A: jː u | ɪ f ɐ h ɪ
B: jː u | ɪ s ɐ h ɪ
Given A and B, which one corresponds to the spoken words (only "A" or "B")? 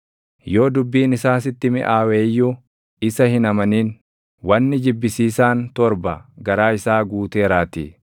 B